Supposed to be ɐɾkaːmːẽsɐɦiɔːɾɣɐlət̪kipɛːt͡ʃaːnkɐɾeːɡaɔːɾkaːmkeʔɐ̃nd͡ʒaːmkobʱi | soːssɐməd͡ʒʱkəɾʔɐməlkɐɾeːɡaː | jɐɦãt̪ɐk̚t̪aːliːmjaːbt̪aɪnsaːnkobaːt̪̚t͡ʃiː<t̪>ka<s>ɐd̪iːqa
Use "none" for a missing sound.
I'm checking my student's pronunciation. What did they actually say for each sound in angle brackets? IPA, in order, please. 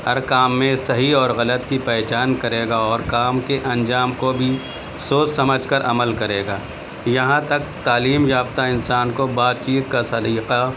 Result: t̪, s

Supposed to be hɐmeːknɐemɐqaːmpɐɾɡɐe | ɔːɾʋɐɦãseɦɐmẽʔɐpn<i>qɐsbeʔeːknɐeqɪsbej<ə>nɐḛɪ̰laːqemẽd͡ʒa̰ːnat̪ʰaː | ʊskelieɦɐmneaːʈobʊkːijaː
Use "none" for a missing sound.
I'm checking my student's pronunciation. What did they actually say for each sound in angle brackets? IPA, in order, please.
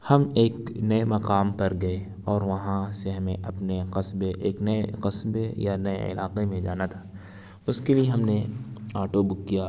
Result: e, a

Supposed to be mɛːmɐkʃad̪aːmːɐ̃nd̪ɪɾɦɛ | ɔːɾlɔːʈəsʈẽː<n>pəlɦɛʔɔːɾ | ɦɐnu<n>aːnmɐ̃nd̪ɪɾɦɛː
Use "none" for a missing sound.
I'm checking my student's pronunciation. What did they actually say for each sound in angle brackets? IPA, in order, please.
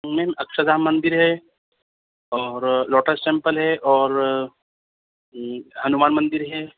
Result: m, m

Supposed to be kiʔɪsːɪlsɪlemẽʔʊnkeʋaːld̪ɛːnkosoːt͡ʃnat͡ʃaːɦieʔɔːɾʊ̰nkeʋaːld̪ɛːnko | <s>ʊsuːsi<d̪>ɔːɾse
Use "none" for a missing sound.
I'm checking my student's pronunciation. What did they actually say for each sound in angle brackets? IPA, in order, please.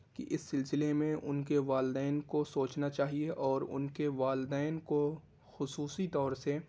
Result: x, t̪

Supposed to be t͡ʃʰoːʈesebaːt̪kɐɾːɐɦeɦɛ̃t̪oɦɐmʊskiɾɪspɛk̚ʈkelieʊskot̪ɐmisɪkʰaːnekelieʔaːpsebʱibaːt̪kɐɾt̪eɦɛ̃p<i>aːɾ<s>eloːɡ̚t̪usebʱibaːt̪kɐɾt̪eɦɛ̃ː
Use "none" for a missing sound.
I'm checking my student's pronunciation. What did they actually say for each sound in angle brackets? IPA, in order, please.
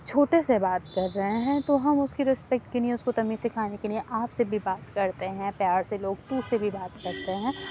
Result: j, s

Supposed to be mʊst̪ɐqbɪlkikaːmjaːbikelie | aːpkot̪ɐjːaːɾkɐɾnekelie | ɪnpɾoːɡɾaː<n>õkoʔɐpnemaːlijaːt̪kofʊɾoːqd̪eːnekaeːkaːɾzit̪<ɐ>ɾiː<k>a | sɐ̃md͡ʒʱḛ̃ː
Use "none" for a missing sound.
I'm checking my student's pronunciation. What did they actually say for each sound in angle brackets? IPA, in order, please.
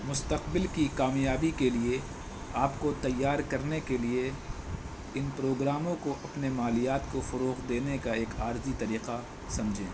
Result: m, ɐ, q

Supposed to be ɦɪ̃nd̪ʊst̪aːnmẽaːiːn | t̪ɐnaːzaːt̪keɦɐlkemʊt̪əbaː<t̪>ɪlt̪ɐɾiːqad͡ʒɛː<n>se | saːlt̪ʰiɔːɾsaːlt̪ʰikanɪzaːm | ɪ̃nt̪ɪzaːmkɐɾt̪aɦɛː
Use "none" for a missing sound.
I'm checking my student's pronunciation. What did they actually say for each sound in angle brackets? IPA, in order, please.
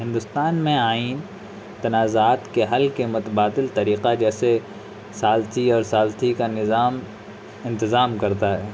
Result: d̪, none

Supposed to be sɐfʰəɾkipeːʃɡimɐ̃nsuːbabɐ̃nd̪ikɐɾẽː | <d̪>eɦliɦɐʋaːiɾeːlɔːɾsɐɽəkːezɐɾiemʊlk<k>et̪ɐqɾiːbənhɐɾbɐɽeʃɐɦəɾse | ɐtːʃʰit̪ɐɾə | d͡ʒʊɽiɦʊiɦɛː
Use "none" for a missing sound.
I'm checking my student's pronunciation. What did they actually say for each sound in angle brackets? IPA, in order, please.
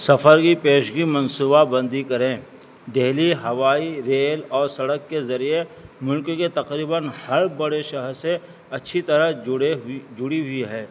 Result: d̪, k

